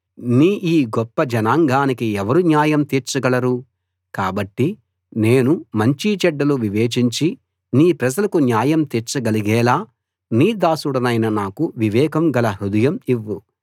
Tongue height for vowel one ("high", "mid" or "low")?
high